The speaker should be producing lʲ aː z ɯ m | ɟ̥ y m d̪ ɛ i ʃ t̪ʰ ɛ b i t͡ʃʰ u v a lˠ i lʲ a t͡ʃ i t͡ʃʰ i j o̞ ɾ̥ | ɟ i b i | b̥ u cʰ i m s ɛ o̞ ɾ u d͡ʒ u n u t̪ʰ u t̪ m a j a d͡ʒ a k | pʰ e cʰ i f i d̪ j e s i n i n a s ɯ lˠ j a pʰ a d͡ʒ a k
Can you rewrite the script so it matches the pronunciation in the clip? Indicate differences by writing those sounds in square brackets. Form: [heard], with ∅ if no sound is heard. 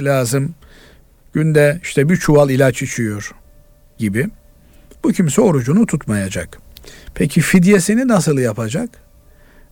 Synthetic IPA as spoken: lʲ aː z ɯ m | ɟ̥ y [n] d̪ ɛ i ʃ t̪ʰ ɛ b i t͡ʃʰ u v a lˠ i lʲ a t͡ʃ i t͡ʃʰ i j o̞ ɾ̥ | ɟ i b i | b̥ u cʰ i m s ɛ o̞ ɾ u d͡ʒ u n u t̪ʰ u t̪ m a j a d͡ʒ a k | pʰ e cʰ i f i d̪ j e s i n i n a s ɯ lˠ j a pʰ a d͡ʒ a k